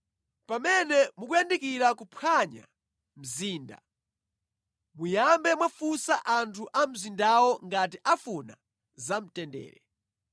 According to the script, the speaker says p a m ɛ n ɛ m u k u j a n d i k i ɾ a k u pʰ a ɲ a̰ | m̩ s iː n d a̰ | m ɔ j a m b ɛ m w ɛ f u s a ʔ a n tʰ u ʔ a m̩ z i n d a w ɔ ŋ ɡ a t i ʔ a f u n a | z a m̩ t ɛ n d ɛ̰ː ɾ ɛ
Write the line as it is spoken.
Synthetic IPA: p a m ɛ n ɛ m u k u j a n d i k i ɾ a k u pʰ a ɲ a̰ | m̩ z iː n d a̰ | m u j a m b ɛ m w a f u s a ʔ a n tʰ u ʔ a m̩ z i n d a w ɔ ŋ ɡ a t i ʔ a f u n a | z a m̩ t ɛ n d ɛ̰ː ɾ ɛ

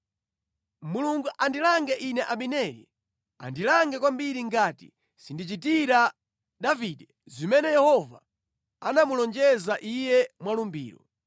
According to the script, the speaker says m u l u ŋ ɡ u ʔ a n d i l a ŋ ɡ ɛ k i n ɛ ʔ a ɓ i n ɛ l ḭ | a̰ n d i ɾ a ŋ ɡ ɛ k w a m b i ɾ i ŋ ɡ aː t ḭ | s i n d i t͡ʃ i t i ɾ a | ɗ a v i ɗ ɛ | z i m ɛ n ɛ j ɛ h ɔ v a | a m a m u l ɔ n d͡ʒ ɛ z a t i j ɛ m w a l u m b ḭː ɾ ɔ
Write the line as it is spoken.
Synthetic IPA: m u l u ŋ ɡ u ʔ a n d i l a ŋ ɡ ɛ ʔ i n ɛ ʔ a ɓ i n ɛ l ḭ | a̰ n d i l a ŋ ɡ ɛ k w a m b i ɾ i ŋ ɡ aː t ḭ | s i n d i t͡ʃ i t i ɾ a | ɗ a v i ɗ ɛ | z i m ɛ n ɛ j ɛ h ɔ v a | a n a m u l ɔ n d͡ʒ ɛ z a ʔ i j ɛ m w a l u m b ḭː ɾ ɔ

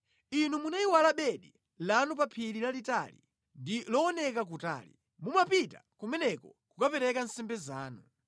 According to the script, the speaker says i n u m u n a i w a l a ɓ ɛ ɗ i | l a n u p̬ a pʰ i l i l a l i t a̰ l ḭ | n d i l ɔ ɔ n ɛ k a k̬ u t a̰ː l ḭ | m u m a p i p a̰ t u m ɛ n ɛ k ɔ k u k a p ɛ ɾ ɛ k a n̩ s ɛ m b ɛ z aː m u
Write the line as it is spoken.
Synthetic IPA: i n u m u n a i w a l a ɓ ɛ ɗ i | l a n u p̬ a pʰ i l i l a l i t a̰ l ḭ | n d i l ɔ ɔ n ɛ k a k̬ u t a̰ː l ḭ | m u m a p i t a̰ k u m ɛ n ɛ k ɔ k u k a p ɛ ɾ ɛ k a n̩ s ɛ m b ɛ z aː n u

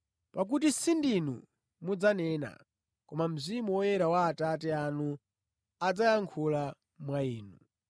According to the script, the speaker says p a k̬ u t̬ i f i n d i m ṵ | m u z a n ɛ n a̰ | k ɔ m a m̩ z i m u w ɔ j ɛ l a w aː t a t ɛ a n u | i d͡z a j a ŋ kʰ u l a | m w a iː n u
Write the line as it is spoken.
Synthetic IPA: p a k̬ u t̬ i s i n d i n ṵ | m u d͡z a n ɛ n a̰ | k ɔ m a m̩ z i m u w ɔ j ɛ ɾ a w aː t a t ɛ a n u | a d͡z a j a ŋ kʰ u l a | m w a iː n u

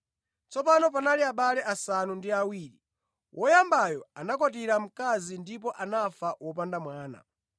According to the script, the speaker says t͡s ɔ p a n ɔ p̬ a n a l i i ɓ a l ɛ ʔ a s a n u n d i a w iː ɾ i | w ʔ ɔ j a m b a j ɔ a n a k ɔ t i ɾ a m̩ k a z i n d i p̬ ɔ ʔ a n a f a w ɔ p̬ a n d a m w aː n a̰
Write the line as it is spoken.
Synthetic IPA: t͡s ɔ p a n ɔ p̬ a n a l i a ɓ a l ɛ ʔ a s a n u n d i a w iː ɾ i | w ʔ ɔ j a m b a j ɔ a n a k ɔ t i ɾ a m̩ k a z i n d i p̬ ɔ ʔ a n a f a w ɔ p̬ a n d a m w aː n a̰

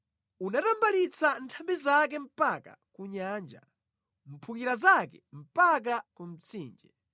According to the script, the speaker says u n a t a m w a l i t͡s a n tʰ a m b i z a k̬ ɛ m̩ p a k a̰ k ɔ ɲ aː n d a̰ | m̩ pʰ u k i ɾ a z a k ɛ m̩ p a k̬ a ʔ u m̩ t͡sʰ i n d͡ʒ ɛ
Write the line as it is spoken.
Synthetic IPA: u n a t a m b a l i t͡s a n tʰ a m b i z a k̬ ɛ m̩ p a k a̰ k u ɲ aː n d͡ʒ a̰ | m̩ pʰ u k i ɾ a z a k ɛ m̩ p a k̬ a k u m̩ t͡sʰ iː n d͡ʒ ɛ

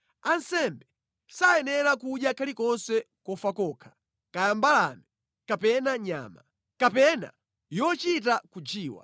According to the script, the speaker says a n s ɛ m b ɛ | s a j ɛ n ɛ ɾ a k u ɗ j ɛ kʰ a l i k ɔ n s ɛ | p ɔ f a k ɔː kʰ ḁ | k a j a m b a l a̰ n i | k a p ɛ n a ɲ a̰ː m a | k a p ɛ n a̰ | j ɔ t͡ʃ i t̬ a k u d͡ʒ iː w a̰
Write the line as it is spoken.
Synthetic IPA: a n s ɛ m b ɛ | s a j ɛ n ɛ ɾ a k u ɗ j a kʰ a l i k ɔ n s ɛ | k ɔ f a k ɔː kʰ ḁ | k a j a m b a l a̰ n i | k a p ɛ n a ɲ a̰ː m a | k a p ɛ n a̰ | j ɔ t͡ʃ i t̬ a k u d͡ʒ iː w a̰

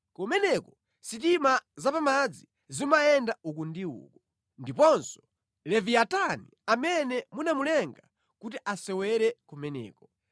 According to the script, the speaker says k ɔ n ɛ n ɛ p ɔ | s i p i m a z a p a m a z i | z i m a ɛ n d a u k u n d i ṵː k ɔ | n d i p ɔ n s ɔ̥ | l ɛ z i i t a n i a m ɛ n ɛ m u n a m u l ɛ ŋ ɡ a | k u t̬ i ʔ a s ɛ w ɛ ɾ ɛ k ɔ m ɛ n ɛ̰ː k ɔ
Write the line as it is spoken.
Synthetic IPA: k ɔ m ɛ n ɛ k ɔ | s i t i m a z a p a m a d͡z i | z i m a ɛ n d a u k u n d i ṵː k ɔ | n d i p ɔ n s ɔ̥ | l ɛ v i a t a n i a m ɛ n ɛ m u n a m u l ɛ ŋ ɡ a | k u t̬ i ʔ a s ɛ w ɛ ɾ ɛ k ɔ m ɛ n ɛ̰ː k ɔ

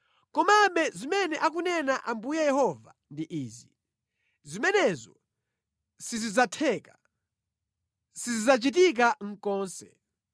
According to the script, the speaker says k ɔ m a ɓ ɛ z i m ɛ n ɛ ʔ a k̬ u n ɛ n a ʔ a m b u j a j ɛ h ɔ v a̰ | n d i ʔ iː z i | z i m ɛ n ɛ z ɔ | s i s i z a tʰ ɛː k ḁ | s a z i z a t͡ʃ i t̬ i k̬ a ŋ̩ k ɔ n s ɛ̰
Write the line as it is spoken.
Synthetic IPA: k ɔ m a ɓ ɛ z i m ɛ n ɛ ʔ a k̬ u n ɛ n a ʔ a m b u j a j ɛ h ɔ v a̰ | n d i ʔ iː z i | z i m ɛ n ɛ z ɔ | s i z i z a tʰ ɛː k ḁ | s i z i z a t͡ʃ i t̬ i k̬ a ŋ̩ k ɔː n s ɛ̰

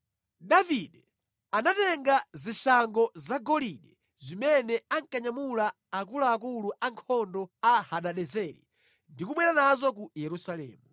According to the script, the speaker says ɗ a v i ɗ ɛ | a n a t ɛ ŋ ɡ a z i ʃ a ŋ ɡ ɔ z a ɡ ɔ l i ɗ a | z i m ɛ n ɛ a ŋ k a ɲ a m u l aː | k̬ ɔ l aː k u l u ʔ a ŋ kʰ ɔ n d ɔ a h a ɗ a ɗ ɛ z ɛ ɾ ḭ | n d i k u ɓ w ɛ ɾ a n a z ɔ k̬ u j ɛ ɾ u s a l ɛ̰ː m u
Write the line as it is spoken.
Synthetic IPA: ɗ a v i ɗ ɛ | a n a t ɛ ŋ ɡ a z i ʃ a ŋ ɡ ɔ z a ɡ ɔ l i ɗ ɛ | z i m ɛ n ɛ a ŋ k a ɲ a m u l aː | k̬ u l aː k u l u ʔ a ŋ kʰ ɔ n d ɔ a h a ɗ a ɗ ɛ z ɛ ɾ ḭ | n d i k u ɓ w ɛ ɾ a n a z ɔ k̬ u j ɛ ɾ u s a l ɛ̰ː m u

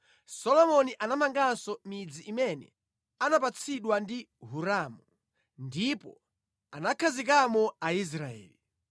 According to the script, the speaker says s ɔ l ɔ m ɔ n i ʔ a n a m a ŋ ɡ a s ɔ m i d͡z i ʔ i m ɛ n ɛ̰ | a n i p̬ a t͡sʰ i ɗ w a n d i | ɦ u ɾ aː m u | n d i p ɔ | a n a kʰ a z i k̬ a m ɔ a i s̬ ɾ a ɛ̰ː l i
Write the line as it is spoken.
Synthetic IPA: s ɔ l ɔ m ɔ n i ʔ a n a m a ŋ ɡ a s ɔ m i d͡z i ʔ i m ɛ n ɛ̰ | a n a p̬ a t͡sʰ i ɗ w a n d i | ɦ u ɾ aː m u | n d i p ɔ | a n a kʰ a z i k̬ a m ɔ a i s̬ ɾ a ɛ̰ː l i

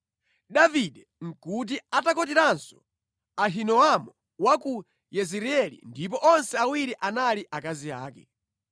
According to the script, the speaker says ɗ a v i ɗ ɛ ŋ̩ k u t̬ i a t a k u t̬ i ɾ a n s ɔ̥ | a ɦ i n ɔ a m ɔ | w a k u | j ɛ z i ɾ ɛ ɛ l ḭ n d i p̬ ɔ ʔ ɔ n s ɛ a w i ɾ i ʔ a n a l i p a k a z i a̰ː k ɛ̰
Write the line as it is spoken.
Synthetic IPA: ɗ a v i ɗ ɛ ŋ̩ k u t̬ i a t a k ɔ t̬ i ɾ a n s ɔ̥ | a ɦ i n ɔ a m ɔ | w a k u | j ɛ z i ɾ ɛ ɛ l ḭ n d i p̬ ɔ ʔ ɔ n s ɛ a w i ɾ i ʔ a n a l i ʔ a k a z i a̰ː k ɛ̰

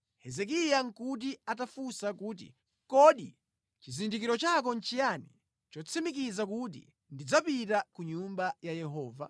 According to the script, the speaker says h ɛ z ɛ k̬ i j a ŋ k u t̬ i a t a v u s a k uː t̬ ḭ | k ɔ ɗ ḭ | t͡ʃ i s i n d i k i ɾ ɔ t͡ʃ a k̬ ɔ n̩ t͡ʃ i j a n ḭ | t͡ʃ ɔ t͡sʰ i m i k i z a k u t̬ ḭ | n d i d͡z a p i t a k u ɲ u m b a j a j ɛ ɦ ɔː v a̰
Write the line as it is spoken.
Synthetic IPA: h ɛ z ɛ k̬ i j a ŋ k u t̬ i a t a f u s a k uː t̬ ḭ | k ɔ ɗ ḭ | t͡ʃ i z i n d i k i ɾ ɔ t͡ʃ a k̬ ɔ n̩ t͡ʃ i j a n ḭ | t͡ʃ ɔ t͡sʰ i m i k i z a k u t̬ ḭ | n d i d͡z a p i t a k u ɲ u m b a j a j ɛ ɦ ɔː v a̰

